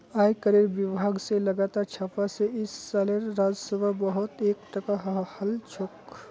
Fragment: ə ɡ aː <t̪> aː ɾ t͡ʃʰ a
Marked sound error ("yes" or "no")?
no